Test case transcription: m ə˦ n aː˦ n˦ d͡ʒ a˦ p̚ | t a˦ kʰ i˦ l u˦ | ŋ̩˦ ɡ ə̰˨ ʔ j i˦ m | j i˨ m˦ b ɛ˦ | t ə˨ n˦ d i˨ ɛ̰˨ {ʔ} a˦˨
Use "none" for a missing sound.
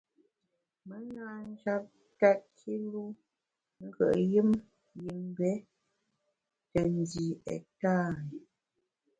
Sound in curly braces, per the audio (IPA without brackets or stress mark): t